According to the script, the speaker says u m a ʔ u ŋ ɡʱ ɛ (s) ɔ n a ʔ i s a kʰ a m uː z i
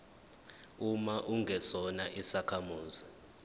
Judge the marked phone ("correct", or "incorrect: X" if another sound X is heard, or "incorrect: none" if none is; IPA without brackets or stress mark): correct